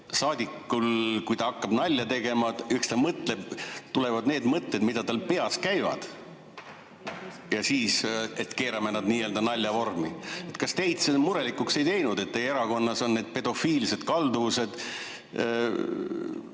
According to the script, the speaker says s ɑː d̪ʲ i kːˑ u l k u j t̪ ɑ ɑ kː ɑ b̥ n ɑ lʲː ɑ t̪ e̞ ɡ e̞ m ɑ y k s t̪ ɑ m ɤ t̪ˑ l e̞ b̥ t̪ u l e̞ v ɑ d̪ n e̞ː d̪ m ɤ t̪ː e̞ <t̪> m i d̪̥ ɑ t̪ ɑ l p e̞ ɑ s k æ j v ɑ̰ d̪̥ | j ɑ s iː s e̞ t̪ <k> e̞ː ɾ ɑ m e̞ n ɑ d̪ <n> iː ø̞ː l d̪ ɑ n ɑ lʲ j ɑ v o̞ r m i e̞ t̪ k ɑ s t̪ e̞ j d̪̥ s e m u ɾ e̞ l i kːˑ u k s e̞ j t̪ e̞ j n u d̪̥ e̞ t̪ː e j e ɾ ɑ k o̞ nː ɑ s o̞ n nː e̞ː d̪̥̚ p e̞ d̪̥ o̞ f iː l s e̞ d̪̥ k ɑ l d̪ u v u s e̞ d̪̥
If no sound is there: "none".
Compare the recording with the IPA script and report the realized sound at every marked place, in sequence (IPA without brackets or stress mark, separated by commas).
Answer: d̪, k, n